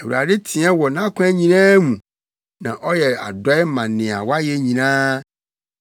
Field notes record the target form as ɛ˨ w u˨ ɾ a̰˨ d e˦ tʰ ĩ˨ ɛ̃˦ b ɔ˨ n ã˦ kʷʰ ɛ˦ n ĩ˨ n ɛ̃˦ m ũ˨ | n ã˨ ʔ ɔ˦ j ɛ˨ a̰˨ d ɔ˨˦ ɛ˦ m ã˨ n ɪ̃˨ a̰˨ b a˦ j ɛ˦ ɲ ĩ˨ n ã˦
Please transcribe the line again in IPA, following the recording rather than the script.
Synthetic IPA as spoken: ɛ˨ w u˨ ɾ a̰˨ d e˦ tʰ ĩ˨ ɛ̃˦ w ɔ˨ n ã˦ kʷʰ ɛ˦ ɲ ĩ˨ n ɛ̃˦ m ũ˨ | n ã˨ ʔ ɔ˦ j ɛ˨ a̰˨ d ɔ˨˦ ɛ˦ m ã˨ n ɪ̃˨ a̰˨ w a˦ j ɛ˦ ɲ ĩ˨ n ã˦